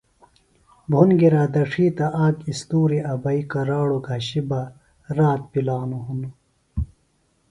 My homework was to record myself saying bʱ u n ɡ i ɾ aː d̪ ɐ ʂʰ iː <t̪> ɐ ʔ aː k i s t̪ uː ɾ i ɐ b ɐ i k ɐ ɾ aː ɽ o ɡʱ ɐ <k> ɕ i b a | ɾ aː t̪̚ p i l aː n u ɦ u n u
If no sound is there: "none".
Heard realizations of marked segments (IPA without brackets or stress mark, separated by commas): t̪, none